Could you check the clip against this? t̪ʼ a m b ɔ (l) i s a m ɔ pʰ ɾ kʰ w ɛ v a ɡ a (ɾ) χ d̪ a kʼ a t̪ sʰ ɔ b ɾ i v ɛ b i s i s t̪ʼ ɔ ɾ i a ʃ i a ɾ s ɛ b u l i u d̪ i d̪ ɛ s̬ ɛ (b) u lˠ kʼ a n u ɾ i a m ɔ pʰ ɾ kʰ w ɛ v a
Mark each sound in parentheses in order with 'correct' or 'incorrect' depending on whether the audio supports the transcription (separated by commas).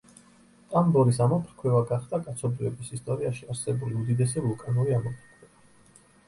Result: incorrect, incorrect, incorrect